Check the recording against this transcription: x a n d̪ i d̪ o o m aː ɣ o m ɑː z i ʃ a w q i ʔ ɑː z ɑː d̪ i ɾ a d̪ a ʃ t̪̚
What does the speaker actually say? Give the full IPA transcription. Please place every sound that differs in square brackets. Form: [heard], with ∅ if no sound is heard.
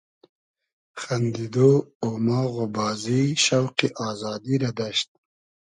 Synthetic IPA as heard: x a n d̪ i d̪ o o m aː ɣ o [b] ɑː z i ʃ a w q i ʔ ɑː z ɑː d̪ i ɾ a d̪ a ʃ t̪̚